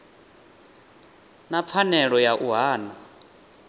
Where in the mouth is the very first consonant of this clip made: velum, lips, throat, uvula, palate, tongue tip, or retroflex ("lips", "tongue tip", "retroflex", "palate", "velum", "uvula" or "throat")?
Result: tongue tip